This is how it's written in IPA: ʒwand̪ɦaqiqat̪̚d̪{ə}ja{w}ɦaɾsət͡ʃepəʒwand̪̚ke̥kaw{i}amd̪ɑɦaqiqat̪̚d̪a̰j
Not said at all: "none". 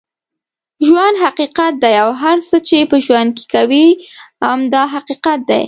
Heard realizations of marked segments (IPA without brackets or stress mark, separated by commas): a, w, i